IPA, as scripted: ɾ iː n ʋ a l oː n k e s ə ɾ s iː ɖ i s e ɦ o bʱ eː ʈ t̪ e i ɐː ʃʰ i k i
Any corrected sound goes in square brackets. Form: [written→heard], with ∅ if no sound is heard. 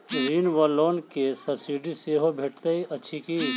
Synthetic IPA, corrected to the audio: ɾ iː n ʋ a l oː n k e s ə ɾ s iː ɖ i s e ɦ o bʱ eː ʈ t̪ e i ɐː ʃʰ i k i